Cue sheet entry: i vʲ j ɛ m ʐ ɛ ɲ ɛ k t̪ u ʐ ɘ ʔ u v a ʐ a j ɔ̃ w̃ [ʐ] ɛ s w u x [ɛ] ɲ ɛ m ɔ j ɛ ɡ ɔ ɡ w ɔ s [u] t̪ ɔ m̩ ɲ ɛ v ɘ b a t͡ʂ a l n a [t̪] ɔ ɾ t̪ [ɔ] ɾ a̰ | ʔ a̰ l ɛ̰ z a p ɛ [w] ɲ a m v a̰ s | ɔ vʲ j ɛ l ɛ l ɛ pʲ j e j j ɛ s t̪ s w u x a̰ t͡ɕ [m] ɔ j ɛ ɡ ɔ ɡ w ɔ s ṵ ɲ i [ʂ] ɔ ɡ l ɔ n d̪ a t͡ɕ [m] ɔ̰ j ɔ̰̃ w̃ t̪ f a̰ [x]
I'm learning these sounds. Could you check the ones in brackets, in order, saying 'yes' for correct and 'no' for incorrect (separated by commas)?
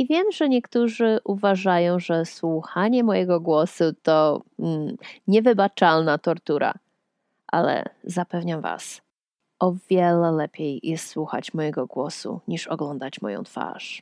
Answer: yes, no, yes, yes, no, no, yes, yes, yes, no